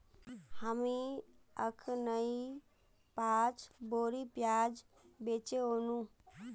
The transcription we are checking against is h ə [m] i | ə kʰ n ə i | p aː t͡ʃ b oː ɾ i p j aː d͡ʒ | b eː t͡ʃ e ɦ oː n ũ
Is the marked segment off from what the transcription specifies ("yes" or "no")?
no